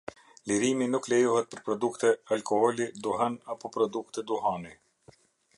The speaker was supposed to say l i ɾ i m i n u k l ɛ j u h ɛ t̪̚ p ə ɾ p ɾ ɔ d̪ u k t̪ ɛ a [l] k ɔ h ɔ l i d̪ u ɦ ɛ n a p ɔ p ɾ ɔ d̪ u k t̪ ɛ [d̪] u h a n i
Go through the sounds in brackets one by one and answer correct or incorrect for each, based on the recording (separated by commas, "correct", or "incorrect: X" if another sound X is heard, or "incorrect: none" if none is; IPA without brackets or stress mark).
correct, correct